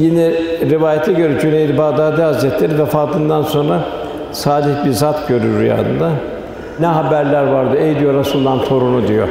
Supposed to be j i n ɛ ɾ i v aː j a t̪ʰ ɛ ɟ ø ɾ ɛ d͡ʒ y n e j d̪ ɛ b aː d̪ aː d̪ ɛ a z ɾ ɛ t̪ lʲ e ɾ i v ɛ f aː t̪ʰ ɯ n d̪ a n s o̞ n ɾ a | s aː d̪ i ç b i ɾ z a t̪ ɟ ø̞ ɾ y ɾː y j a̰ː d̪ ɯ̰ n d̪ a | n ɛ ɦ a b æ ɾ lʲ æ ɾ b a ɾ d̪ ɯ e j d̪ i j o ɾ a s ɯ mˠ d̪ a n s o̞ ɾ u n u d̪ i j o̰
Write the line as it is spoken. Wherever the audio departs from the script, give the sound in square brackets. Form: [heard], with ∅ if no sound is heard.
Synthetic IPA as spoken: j i n ɛ ɾ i v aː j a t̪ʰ ɛ ɟ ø ɾ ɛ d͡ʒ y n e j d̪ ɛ b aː d̪ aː d̪ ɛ a z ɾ ɛ t̪ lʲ e ɾ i v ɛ f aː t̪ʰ ɯ n d̪ a n s o̞ n ɾ a | s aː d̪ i ç b i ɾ z a t̪ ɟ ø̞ ɾ y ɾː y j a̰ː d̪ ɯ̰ n d̪ a | n ɛ ɦ a b æ ɾ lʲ æ ɾ [v] a ɾ d̪ ɯ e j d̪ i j o ɾ a s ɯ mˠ d̪ a n s o̞ ɾ u n u d̪ i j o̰